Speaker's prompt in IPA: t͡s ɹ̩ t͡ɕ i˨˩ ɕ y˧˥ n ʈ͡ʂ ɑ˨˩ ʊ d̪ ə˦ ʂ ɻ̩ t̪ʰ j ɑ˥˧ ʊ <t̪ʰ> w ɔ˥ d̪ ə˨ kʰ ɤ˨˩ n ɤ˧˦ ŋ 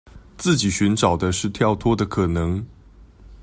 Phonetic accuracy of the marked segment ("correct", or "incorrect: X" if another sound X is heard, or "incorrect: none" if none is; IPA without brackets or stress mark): correct